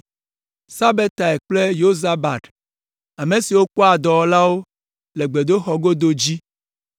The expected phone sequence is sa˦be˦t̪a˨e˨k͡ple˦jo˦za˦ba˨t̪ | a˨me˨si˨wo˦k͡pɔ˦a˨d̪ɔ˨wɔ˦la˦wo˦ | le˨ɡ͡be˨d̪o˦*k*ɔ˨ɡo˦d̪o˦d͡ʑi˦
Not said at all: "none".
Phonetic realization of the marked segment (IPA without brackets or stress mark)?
x